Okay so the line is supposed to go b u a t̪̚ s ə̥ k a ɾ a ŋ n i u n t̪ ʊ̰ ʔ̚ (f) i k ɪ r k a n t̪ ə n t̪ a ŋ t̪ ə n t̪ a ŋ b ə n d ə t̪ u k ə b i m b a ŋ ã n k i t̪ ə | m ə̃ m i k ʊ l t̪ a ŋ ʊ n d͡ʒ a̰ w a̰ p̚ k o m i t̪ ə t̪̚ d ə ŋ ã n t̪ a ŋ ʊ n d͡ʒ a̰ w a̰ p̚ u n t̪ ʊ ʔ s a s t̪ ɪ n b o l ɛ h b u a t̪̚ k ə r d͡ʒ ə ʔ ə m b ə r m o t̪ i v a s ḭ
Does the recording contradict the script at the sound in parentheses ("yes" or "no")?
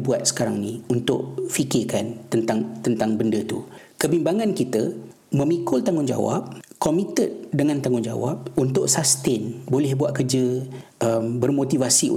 no